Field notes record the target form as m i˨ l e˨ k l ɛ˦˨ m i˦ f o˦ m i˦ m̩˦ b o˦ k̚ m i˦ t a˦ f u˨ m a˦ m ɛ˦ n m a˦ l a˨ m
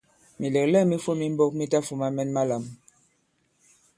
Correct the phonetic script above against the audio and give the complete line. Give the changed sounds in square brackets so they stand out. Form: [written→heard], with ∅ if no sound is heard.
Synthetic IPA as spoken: m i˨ l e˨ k l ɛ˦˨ m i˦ f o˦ m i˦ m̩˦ b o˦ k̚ m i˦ t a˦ f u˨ m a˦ m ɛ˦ n m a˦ l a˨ m